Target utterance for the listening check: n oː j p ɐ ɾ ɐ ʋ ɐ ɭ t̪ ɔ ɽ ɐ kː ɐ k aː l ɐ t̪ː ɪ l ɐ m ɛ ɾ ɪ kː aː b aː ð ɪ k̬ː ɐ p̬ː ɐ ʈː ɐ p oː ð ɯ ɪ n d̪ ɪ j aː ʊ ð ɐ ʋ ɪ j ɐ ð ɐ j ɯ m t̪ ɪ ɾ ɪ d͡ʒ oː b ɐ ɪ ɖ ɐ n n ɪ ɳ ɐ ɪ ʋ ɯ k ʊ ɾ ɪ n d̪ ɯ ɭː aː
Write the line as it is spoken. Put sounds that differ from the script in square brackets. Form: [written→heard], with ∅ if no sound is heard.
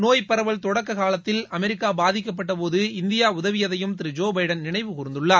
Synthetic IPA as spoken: n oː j p ɐ ɾ ɐ ʋ ɐ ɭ t̪ ɔ ɽ ɐ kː ɐ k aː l ɐ t̪ː ɪ l ɐ m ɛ ɾ ɪ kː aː b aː ð ɪ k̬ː ɐ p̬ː ɐ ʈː ɐ p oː ð ɯ ɪ n d̪ ɪ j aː ʊ ð ɐ ʋ ɪ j ɐ ð ɐ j ɯ m t̪ ɪ ɾ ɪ d͡ʒ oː b ɐ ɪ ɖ ɐ n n ɪ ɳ ɐ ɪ ʋ ɯ k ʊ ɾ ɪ n d̪ ɯ ɭː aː